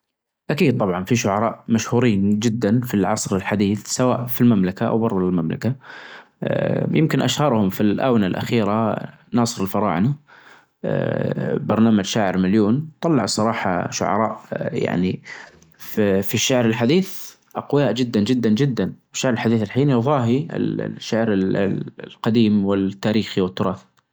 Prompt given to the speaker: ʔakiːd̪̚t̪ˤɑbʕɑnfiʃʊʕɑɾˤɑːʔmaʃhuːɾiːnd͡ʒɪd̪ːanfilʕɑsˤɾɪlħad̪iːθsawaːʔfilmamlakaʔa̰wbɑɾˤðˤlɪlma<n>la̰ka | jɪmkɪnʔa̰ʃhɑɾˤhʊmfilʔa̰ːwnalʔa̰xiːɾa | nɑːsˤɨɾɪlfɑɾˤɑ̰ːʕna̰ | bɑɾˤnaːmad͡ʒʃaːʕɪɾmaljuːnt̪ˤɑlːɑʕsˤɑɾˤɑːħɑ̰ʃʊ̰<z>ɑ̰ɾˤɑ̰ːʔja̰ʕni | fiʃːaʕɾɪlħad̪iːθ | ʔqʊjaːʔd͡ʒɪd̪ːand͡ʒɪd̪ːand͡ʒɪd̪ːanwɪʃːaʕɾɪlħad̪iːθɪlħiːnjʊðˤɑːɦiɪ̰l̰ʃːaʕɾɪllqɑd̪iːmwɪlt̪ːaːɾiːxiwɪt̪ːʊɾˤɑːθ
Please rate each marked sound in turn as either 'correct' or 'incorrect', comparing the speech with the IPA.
incorrect: m, incorrect: ʕ

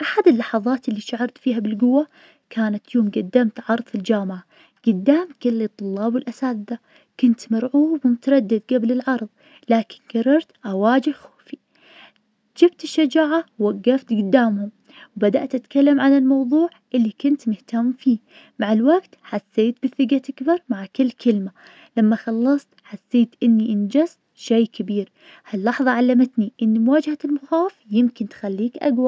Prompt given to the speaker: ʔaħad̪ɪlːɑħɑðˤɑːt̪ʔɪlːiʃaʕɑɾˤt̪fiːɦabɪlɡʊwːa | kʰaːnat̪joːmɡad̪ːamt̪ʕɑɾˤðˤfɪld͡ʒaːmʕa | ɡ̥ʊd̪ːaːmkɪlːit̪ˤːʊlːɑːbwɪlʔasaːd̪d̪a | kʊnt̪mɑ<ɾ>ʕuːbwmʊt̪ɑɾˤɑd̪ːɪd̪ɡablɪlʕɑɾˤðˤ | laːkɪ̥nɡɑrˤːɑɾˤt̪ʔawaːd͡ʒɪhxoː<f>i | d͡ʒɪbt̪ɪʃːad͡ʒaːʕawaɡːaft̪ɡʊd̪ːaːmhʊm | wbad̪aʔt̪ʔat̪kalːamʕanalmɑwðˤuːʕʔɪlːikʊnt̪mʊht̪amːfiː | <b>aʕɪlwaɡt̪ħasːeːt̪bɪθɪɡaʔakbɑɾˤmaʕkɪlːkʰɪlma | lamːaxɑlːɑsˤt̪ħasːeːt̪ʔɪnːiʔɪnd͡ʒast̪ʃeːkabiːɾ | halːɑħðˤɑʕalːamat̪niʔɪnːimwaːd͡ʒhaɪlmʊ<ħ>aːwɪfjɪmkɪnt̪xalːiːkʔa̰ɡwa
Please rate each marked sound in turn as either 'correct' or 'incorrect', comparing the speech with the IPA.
correct, correct, incorrect: m, incorrect: x

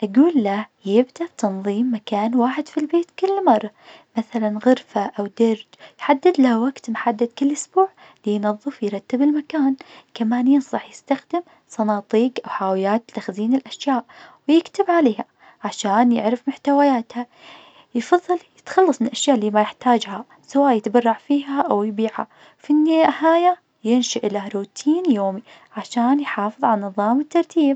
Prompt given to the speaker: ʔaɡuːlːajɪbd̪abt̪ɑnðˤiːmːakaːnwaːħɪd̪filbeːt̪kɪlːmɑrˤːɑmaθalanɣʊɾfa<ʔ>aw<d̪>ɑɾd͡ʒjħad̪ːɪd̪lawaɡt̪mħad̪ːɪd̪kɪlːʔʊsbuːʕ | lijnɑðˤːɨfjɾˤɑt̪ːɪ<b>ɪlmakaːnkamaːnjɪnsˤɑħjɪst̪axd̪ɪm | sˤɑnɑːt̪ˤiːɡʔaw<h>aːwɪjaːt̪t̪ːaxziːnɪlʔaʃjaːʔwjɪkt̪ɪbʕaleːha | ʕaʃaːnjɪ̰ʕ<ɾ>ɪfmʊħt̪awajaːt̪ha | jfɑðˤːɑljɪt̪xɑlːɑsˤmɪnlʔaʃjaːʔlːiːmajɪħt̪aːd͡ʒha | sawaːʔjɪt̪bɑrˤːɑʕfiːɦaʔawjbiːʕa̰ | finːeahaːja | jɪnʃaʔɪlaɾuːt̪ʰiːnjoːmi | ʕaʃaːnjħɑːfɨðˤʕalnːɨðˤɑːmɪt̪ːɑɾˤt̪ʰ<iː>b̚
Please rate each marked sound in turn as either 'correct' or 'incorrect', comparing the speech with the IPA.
correct, correct, correct, incorrect: ħ, correct, correct

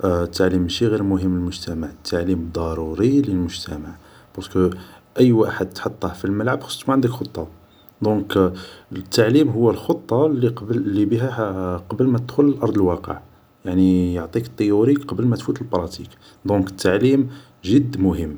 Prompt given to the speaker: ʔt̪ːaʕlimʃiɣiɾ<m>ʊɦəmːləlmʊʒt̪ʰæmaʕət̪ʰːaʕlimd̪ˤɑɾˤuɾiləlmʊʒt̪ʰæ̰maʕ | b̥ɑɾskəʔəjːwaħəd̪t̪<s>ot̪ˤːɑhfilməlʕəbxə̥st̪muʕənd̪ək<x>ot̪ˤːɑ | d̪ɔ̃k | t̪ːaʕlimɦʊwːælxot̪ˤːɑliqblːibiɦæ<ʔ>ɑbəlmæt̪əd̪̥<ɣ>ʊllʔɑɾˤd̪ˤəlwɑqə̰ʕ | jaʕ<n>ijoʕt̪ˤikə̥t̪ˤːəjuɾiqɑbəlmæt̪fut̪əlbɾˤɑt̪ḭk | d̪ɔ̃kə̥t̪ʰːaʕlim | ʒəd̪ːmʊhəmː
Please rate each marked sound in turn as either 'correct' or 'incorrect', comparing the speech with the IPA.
correct, incorrect: ħ, correct, incorrect: q, incorrect: x, correct

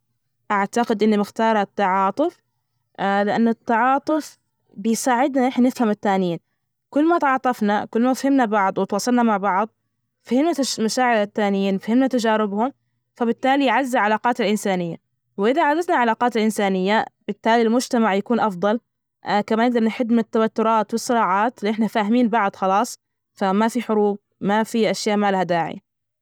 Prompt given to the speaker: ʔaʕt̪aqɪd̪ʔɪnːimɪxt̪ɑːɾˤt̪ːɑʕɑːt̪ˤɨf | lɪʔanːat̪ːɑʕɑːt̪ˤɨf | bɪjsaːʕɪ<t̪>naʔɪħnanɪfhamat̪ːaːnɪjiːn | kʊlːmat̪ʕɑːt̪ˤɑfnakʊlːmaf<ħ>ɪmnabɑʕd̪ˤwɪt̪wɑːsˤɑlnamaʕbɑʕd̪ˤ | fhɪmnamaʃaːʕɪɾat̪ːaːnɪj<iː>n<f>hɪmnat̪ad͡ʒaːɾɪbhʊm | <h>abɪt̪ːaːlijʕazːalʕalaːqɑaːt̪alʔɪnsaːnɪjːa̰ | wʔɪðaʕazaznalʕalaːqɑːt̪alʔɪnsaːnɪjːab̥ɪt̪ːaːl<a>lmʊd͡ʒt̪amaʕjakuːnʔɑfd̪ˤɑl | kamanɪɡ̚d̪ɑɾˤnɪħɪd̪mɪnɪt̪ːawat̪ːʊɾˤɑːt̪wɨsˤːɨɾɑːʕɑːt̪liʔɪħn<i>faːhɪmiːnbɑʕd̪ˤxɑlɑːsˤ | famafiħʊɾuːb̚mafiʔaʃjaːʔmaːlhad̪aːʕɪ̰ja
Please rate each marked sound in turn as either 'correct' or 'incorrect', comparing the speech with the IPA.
incorrect: d̪, incorrect: h, correct, correct, incorrect: f, incorrect: i, incorrect: a

